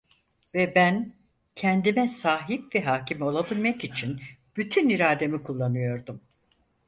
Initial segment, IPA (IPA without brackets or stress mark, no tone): v